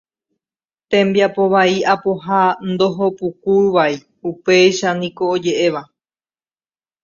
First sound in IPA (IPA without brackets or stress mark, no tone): t̪